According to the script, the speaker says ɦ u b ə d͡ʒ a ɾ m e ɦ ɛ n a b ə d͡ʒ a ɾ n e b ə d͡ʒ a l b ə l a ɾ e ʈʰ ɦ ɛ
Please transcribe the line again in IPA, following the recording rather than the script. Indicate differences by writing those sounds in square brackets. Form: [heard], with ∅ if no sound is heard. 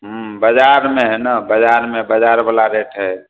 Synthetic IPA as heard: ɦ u b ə d͡ʒ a ɾ m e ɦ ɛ n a b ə d͡ʒ a ɾ [m] e b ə d͡ʒ a [ɾ] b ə l a ɾ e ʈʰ ɦ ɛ